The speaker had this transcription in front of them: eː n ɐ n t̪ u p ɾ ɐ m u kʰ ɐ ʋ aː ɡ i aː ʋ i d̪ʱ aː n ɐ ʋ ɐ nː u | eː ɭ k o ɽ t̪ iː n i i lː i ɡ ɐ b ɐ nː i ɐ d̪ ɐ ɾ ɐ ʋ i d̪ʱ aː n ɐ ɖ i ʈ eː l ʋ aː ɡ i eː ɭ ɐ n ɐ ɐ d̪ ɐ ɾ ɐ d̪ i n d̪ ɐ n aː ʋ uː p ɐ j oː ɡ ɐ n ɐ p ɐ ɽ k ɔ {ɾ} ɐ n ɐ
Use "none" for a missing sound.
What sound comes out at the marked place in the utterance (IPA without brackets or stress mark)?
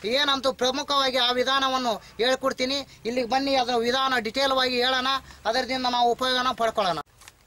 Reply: ɭ